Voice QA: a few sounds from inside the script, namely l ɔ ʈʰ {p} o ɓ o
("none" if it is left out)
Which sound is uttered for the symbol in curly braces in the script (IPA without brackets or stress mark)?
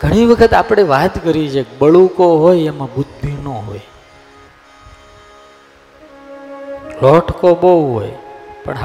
k